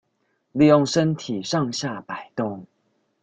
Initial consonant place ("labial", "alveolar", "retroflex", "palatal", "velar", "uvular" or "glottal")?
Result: alveolar